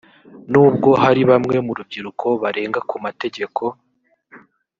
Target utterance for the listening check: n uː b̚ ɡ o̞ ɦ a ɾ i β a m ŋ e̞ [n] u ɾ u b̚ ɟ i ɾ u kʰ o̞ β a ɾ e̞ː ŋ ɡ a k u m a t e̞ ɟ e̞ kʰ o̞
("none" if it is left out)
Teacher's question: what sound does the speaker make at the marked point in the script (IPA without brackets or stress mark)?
m